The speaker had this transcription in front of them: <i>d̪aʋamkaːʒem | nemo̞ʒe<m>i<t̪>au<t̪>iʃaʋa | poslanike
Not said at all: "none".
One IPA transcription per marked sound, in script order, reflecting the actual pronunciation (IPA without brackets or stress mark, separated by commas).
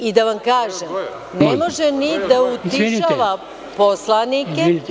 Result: i, n, d̪, t̪